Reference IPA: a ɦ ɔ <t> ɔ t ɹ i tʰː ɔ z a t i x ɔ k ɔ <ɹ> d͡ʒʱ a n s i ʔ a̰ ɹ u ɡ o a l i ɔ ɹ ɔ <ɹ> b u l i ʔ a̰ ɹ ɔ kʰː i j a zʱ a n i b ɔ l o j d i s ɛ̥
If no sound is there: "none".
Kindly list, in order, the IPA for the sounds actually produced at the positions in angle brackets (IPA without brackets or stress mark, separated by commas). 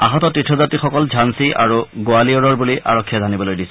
t, l, ɹ